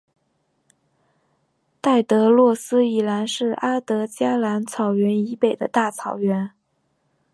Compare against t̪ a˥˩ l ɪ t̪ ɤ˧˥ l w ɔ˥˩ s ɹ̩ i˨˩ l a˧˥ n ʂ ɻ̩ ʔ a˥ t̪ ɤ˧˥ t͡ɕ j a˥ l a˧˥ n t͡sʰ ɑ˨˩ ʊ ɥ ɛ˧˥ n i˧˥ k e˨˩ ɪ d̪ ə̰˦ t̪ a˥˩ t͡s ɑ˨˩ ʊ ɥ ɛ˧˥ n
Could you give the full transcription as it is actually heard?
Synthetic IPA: t̪ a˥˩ ɪ t̪ ɤ˧˥ l w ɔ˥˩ s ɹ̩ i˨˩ l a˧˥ n ʂ ɻ̩ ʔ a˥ t̪ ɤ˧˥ t͡ɕ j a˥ l a˧˥ n t͡sʰ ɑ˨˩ ʊ ɥ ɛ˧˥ n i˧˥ p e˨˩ ɪ d̪ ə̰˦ t̪ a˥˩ t͡sʰ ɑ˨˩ ʊ ɥ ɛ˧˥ n